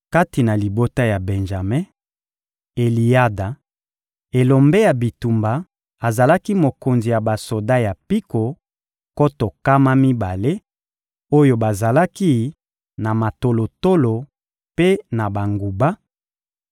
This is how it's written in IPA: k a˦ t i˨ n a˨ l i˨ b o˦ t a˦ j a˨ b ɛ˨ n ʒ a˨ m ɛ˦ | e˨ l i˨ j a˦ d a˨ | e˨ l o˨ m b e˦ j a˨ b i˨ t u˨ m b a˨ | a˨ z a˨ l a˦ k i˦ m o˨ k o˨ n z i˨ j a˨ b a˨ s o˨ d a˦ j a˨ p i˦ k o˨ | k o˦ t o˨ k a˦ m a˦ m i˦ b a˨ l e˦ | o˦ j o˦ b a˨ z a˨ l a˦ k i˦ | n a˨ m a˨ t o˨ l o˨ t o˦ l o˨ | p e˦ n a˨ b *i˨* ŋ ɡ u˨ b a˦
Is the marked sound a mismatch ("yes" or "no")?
yes